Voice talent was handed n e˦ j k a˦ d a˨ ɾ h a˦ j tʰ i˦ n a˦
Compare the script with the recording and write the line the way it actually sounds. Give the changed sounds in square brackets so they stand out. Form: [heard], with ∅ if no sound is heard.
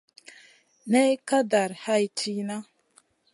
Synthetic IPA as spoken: n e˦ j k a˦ d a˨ ɾ h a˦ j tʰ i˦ n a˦